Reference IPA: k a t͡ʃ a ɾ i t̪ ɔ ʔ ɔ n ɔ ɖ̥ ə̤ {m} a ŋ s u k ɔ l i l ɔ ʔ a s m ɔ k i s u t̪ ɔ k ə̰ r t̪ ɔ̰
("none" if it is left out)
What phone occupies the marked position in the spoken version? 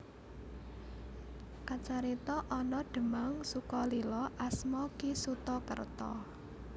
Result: m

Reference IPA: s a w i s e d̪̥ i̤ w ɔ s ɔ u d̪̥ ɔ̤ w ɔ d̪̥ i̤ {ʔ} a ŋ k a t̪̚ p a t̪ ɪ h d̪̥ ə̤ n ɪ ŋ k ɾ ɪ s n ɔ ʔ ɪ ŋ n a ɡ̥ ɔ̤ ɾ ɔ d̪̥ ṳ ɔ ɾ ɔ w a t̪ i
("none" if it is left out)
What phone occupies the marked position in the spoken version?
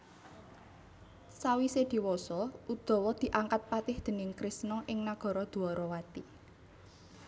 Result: ʔ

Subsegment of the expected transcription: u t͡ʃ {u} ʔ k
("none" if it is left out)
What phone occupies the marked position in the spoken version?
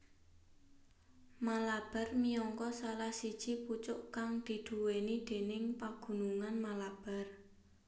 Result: ʊ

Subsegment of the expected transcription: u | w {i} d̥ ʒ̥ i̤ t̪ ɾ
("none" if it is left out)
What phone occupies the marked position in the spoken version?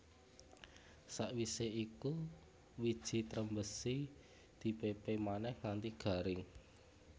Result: i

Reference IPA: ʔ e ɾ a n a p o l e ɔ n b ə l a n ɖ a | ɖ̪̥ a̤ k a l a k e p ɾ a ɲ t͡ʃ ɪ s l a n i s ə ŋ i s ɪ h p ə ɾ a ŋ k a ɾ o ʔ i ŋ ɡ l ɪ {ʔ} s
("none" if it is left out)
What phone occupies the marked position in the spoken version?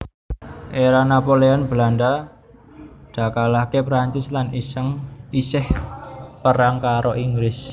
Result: none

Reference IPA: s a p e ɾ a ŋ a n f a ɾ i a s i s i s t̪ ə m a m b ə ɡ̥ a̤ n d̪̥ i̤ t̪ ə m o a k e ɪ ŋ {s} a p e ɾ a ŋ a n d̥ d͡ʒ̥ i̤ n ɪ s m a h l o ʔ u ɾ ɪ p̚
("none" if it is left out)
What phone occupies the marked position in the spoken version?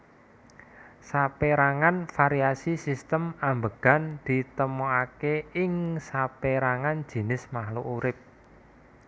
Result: s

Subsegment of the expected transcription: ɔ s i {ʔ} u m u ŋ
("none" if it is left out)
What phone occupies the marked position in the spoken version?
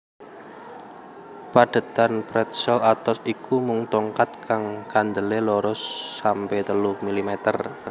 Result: k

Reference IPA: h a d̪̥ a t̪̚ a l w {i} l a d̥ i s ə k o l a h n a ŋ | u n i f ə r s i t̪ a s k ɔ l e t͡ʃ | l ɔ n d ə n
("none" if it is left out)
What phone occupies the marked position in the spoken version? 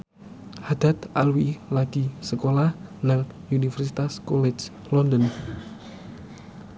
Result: i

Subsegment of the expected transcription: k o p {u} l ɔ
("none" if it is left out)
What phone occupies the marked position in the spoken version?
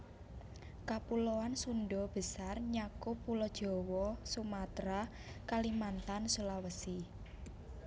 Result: u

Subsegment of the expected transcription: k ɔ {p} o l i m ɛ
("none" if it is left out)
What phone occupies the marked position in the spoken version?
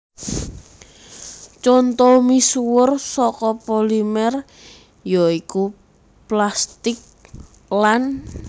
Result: p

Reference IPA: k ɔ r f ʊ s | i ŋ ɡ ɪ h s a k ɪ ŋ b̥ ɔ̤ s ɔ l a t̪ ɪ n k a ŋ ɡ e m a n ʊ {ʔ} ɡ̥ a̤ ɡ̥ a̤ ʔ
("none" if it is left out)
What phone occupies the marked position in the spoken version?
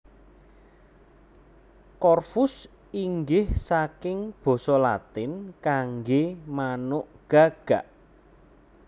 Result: ʔ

